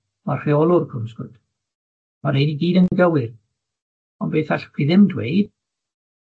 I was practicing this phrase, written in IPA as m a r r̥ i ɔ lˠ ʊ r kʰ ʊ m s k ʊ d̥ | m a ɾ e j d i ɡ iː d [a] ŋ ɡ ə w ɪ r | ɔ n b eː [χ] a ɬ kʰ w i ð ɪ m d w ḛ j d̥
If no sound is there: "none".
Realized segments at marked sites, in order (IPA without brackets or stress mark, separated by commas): ə, θ